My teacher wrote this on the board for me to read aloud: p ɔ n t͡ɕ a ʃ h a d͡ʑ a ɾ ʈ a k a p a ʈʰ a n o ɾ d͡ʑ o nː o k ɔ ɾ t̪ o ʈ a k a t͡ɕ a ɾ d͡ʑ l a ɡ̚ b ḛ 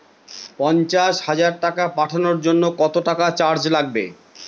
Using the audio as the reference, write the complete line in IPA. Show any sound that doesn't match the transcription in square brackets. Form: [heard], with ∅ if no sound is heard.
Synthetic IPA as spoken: p ɔ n t͡ɕ a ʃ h a d͡ʑ a ɾ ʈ a k a p a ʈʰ a n o ɾ d͡ʑ o nː o k ɔ [∅] t̪ o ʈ a k a t͡ɕ a ɾ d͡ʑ l a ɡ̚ b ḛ